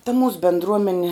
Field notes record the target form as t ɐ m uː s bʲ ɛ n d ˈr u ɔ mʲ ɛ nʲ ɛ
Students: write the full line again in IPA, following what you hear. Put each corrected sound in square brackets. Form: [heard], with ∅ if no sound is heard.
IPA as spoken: t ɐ m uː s bʲ ɛ n d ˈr u ɔ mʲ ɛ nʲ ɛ